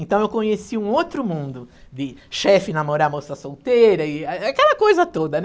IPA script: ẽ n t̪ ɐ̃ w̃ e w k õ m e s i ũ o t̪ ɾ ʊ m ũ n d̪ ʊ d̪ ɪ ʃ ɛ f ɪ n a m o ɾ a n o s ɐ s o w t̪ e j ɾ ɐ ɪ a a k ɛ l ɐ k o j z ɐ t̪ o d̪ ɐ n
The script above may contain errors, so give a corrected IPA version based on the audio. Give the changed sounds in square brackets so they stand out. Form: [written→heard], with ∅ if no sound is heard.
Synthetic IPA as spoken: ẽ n t̪ ɐ̃ w̃ e w k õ [m→ɲ] e s i ũ o t̪ ɾ ʊ m ũ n d̪ ʊ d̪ ɪ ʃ ɛ f ɪ n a m o ɾ a [n→m] o s ɐ s o w t̪ e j ɾ ɐ ɪ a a k ɛ l ɐ k o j z ɐ t̪ o d̪ ɐ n